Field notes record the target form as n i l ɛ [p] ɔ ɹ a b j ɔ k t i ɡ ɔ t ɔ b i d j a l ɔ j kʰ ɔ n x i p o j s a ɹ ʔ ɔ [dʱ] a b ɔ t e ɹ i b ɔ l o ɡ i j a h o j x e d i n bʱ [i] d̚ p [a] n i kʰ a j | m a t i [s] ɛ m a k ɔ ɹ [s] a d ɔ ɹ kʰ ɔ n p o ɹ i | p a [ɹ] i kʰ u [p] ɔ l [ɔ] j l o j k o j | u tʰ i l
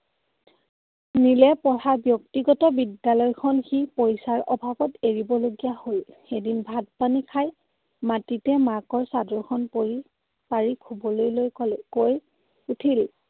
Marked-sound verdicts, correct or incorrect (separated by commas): correct, incorrect, incorrect, correct, incorrect, correct, correct, incorrect, incorrect